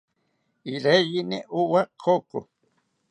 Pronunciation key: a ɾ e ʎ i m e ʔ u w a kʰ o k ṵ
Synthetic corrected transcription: i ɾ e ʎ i n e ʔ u w a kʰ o k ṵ